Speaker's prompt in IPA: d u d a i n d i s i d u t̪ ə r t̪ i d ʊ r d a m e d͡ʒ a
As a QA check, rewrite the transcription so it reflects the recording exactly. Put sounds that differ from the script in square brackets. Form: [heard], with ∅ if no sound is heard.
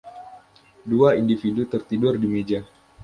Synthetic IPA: d u [∅] a i n d i [f] i d u t̪ ə r t̪ i d ʊ r d [i] m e d͡ʒ a

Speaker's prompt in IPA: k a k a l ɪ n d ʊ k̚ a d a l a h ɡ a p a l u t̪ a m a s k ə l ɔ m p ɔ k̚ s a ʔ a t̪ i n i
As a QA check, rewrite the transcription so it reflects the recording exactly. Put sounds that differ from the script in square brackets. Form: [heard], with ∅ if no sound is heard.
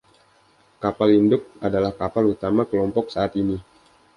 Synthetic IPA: k a [p] a l [i] n d ʊ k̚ a d a l a h [k] a p a l u t̪ a m a [∅] k ə l ɔ m p ɔ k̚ s a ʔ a t̪ i n i

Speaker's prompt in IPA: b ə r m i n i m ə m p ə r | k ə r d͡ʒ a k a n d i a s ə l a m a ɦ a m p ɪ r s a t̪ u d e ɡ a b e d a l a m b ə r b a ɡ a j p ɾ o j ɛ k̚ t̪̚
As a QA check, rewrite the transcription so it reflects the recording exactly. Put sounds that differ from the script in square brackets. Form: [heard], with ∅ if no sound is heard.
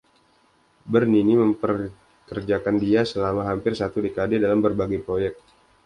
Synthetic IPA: b ə r [n] i n i m ə m p ə r | k ə r d͡ʒ a k a n d i a s ə l a m a ɦ a m p ɪ r s a t̪ u d e [k] a [d] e d a l a m b ə r b a ɡ a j p ɾ o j ɛ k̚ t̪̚

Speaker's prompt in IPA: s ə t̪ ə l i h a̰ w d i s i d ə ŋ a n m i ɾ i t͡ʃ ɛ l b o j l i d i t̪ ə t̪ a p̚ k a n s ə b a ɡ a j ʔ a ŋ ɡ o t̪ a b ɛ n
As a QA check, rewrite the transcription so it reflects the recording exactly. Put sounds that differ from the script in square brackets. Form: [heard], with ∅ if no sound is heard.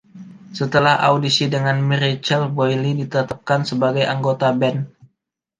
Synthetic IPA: s ə t̪ ə l [a] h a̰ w d i s i d ə ŋ a n m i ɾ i t͡ʃ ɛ l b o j l i d i t̪ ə t̪ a p̚ k a n s ə b a ɡ a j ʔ a ŋ ɡ o t̪ a b ɛ n

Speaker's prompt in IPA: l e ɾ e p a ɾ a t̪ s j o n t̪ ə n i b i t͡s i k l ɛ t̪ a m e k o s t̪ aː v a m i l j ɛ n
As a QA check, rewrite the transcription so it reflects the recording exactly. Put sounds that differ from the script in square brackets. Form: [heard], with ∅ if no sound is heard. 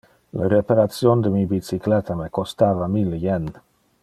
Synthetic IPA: l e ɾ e p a ɾ a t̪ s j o n [d̪] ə [m] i b i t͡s i k l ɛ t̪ a m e k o s t̪ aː v a m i l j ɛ n

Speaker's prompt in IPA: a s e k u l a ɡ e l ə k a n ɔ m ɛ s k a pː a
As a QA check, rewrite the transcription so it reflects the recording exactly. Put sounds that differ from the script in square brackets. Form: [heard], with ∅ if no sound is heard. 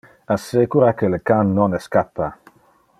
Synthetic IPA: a s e k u [ɾ] a [k] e l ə k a [nː] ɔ [n] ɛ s k a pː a

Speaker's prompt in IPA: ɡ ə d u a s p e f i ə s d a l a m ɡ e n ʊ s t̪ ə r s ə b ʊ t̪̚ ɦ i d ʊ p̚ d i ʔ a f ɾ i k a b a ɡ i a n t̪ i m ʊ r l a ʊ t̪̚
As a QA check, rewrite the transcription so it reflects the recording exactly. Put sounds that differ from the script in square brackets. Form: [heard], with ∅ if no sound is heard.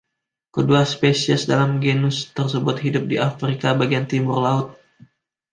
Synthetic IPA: [k] ə d u a s p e [s] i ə s d a l a m ɡ e n ʊ s t̪ ə r s ə b ʊ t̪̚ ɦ i d ʊ p̚ d i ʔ a f ɾ i k a b a ɡ i a n t̪ i m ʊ r l a ʊ t̪̚

